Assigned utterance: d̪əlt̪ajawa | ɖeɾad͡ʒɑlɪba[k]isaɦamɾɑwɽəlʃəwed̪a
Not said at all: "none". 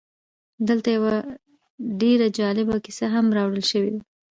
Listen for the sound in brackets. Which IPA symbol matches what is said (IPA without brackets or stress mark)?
k